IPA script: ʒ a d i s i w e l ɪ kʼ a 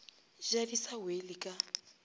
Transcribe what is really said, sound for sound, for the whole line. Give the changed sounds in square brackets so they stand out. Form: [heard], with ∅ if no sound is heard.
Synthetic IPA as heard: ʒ a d i s [a] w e l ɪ kʼ a